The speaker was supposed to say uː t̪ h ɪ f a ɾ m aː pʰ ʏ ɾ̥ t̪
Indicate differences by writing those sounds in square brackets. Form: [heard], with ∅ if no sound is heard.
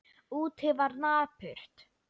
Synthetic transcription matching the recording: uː t̪ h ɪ [v] a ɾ [n] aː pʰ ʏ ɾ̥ t̪